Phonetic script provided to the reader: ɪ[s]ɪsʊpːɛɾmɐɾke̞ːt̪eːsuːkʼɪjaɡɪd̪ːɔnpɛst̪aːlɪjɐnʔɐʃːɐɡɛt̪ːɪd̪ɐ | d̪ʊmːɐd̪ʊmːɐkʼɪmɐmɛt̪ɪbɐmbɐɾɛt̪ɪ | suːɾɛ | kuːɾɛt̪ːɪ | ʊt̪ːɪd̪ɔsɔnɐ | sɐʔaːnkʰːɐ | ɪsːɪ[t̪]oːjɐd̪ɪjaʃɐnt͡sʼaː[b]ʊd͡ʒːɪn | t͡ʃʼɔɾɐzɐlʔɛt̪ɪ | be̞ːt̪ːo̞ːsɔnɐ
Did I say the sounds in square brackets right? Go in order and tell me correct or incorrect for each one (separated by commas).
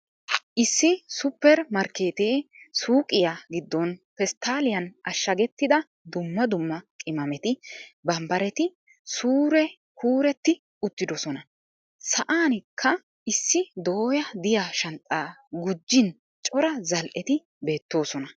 incorrect, incorrect, incorrect